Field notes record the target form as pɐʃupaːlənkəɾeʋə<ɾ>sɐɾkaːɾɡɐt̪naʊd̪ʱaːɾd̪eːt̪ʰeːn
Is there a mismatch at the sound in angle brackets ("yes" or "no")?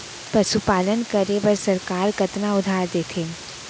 no